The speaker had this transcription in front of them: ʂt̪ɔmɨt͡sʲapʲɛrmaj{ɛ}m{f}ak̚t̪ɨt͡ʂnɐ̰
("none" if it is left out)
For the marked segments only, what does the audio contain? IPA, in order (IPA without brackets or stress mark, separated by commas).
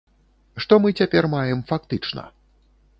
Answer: ɛ, f